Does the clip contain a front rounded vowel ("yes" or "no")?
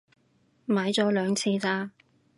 yes